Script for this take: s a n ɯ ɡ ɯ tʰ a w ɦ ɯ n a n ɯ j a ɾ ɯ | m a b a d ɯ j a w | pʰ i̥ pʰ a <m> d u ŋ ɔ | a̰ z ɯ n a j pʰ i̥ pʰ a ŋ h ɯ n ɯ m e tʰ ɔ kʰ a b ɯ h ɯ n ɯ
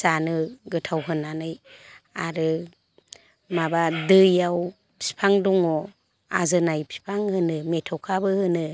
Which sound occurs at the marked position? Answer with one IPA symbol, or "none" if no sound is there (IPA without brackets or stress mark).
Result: ŋ